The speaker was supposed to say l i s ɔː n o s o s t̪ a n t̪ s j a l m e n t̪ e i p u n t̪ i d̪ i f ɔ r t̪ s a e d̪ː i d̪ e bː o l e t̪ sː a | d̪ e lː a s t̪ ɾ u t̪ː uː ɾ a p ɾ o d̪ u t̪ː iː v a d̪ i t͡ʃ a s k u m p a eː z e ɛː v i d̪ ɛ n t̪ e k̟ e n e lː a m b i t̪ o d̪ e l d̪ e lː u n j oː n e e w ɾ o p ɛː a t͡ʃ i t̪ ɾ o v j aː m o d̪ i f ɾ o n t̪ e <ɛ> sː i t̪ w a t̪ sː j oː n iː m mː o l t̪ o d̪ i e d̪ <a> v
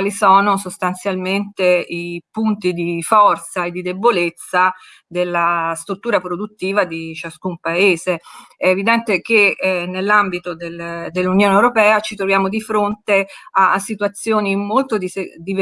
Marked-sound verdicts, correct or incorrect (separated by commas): incorrect, incorrect